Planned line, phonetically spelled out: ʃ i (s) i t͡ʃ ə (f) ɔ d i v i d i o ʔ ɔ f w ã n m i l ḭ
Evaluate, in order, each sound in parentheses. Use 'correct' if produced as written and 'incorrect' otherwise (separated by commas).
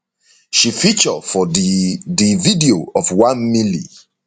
incorrect, correct